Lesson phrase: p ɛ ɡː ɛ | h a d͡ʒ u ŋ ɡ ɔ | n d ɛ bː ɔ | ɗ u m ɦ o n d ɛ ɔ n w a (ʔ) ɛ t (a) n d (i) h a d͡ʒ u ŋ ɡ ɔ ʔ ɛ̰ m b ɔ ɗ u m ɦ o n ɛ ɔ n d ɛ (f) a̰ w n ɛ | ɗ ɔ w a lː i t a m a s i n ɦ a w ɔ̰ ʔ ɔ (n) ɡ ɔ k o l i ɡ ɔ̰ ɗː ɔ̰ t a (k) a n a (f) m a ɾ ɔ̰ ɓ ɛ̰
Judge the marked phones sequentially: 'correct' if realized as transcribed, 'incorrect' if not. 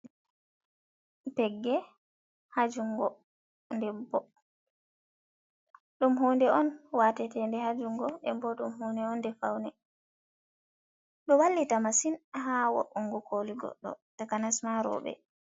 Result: incorrect, incorrect, incorrect, correct, incorrect, correct, incorrect

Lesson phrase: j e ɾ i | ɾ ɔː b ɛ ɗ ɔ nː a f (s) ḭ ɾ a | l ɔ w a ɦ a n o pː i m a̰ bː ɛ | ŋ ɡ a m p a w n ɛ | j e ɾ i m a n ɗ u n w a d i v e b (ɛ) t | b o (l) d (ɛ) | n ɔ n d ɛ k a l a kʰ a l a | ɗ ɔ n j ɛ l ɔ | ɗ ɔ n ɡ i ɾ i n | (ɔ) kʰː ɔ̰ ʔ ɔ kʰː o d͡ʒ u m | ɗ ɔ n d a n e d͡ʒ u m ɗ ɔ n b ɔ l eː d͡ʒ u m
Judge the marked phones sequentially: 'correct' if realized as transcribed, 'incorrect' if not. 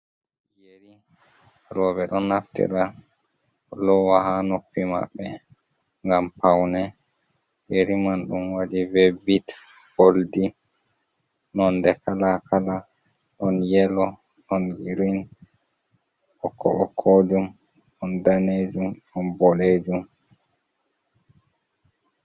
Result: incorrect, incorrect, correct, incorrect, correct

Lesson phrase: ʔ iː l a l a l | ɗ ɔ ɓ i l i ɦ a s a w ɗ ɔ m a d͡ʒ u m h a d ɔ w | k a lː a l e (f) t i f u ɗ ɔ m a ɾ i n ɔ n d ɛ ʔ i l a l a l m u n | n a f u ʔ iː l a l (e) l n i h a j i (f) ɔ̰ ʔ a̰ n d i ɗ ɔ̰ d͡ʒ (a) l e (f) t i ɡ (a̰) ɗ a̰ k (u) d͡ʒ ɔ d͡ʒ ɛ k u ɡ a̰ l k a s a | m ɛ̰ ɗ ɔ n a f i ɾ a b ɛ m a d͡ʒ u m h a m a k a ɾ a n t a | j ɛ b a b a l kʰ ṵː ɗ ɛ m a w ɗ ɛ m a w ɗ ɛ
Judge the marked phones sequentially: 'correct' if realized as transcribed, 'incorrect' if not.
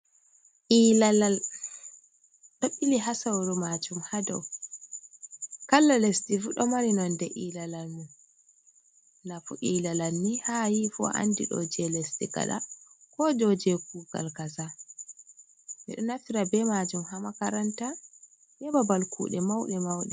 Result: incorrect, incorrect, correct, incorrect, incorrect, correct, incorrect

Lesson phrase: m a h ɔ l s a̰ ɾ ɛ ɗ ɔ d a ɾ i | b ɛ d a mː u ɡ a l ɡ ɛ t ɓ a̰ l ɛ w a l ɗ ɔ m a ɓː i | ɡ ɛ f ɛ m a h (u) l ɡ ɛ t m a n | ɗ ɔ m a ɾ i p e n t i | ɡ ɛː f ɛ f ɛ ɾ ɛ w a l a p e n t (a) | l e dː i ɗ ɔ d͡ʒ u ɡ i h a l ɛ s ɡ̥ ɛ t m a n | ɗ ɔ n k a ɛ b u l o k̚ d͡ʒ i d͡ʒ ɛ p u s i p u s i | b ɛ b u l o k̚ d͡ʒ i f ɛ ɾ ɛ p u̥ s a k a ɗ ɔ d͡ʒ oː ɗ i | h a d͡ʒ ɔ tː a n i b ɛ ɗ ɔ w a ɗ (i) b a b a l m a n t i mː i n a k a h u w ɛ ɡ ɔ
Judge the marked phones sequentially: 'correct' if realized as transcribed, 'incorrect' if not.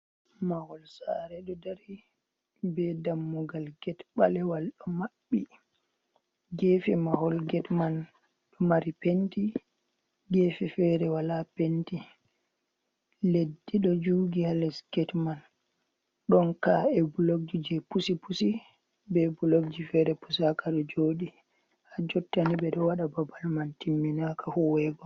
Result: incorrect, incorrect, incorrect

